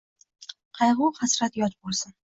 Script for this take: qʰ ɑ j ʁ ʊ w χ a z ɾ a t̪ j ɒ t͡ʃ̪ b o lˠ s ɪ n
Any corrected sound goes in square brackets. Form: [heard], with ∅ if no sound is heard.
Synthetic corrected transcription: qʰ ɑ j ʁ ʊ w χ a [s] ɾ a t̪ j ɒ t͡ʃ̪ b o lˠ s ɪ n